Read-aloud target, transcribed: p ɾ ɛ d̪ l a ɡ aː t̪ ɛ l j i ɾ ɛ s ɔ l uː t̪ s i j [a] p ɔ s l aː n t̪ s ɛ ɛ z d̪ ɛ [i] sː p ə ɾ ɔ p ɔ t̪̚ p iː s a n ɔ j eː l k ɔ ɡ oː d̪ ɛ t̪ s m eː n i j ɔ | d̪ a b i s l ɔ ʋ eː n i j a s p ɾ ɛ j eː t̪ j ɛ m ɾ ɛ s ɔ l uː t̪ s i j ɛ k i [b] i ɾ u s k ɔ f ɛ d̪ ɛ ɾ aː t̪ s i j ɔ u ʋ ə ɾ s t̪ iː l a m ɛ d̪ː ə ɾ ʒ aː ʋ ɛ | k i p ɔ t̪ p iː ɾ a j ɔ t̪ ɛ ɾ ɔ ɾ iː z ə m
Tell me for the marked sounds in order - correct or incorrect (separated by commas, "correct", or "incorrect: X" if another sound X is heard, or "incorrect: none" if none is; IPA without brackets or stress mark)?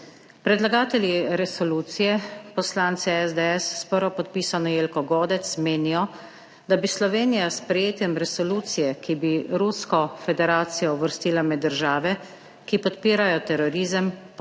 incorrect: ɛ, incorrect: ɛ, correct